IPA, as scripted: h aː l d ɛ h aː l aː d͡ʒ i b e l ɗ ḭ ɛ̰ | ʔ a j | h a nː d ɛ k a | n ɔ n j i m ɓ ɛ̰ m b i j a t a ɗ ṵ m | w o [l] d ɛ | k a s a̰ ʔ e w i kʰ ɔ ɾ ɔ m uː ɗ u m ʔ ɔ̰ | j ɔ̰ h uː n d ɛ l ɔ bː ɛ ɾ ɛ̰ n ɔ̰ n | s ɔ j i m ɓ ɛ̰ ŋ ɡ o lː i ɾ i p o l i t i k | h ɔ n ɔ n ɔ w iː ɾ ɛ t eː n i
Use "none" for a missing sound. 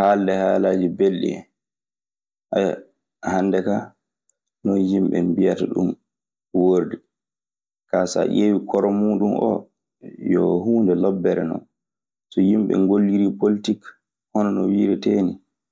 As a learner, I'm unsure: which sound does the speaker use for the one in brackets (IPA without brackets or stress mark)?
ɾ